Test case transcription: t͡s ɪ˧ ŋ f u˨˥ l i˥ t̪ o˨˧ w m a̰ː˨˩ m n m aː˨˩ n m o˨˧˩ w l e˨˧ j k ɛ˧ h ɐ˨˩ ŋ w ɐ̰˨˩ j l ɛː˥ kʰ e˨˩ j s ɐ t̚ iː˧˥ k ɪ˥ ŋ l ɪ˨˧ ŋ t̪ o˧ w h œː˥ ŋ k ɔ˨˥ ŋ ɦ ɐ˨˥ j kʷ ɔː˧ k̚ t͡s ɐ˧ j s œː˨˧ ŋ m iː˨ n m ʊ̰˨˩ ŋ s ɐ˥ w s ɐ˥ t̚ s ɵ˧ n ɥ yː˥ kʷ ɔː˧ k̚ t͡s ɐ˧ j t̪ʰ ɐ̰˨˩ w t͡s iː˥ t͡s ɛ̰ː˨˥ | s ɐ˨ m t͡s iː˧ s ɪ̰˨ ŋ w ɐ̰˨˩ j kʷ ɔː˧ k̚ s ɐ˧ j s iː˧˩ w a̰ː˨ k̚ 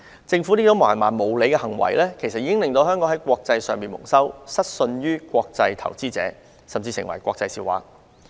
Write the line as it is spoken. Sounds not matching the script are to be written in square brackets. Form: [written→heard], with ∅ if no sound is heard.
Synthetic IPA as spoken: t͡s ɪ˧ ŋ f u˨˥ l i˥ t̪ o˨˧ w m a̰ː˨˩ [m→∅] n m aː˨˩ n m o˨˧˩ w l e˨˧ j k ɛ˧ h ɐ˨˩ ŋ w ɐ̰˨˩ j l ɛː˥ kʰ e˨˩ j s ɐ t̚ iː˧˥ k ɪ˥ ŋ l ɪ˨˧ ŋ t̪ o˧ w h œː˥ ŋ k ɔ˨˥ ŋ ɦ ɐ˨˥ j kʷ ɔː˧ k̚ t͡s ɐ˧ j s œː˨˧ ŋ m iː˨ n m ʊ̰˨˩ ŋ s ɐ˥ w s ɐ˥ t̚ s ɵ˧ n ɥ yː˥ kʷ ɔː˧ k̚ t͡s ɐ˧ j t̪ʰ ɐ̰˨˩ w t͡s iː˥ t͡s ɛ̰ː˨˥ | s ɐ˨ m t͡s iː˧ s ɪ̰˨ ŋ w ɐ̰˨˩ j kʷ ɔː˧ k̚ [s→t͡s] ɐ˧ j s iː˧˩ w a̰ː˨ k̚